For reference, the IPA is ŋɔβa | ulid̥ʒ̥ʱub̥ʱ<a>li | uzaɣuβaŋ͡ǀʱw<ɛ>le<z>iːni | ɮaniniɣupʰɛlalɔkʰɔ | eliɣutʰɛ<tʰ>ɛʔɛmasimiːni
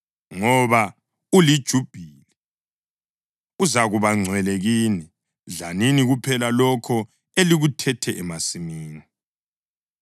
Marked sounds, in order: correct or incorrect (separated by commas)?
incorrect, correct, incorrect, correct